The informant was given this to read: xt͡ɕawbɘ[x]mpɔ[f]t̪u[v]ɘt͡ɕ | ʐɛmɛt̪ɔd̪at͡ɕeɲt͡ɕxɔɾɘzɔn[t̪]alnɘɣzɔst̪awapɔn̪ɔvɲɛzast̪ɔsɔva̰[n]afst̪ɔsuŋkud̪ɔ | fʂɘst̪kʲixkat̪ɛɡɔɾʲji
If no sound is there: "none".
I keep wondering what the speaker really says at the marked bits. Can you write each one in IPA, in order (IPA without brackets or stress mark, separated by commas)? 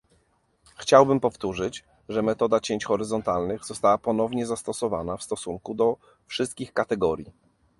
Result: none, f, ʐ, t̪, n